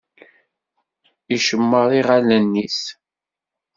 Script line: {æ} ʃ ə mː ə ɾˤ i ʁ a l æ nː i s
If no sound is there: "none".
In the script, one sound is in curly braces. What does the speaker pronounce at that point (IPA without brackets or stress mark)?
i